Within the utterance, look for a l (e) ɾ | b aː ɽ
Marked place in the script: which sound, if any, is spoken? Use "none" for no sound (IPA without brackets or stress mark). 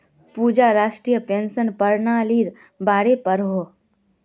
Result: i